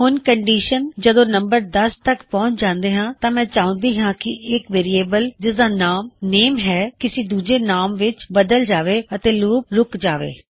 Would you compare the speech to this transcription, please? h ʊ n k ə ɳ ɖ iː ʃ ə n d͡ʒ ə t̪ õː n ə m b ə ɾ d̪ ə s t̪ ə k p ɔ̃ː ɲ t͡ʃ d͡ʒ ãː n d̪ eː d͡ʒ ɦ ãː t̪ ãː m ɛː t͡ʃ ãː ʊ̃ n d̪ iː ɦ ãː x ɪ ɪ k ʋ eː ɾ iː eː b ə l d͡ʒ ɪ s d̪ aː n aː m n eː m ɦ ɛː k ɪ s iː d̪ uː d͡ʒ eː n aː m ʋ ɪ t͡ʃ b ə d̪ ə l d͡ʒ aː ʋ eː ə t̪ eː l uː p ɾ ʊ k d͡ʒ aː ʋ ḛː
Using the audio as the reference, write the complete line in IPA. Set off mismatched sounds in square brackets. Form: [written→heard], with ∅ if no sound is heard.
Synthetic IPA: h ʊ n k ə ɳ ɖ iː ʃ ə n d͡ʒ ə [t̪→d̪] õː n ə m b ə ɾ d̪ ə s t̪ ə k p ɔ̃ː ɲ t͡ʃ d͡ʒ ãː n d̪ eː [d͡ʒ→∅] ɦ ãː t̪ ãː m [ɛː→ɛ̃ː] t͡ʃ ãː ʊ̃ n d̪ iː ɦ ãː [x→k] ɪ ɪ k ʋ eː ɾ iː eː b ə l d͡ʒ ɪ s d̪ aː n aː m n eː m ɦ ɛː k ɪ s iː d̪ uː d͡ʒ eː n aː m ʋ ɪ t͡ʃ b ə d̪ ə l d͡ʒ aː ʋ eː ə t̪ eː l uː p ɾ ʊ k d͡ʒ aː ʋ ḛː